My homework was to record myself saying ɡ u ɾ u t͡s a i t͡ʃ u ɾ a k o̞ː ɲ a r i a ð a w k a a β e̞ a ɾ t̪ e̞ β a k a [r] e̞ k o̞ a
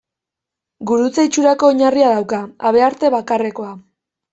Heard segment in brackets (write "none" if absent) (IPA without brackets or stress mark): r